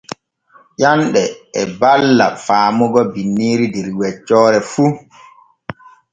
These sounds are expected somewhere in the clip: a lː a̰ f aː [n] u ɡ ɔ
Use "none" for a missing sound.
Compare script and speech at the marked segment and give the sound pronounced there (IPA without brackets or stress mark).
m